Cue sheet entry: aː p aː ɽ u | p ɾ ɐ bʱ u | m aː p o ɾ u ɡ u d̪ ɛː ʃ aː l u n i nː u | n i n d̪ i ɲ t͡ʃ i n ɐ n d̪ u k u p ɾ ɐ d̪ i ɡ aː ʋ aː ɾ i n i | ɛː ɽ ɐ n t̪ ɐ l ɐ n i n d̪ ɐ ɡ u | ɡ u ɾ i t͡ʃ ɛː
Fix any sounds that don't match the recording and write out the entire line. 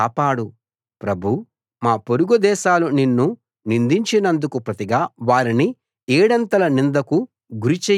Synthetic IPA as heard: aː p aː ɽ u | p ɾ ɐ bʱ u | m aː p o ɾ u ɡ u d̪ ɛː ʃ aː l u n i nː u | n i n d̪ i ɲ t͡ʃ i n ɐ n d̪ u k u p ɾ ɐ t̪ i ɡ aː ʋ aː ɾ i n i | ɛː ɽ ɐ n t̪ ɐ l ɐ n i n d̪ ɐ k u | ɡ u ɾ i t͡ʃ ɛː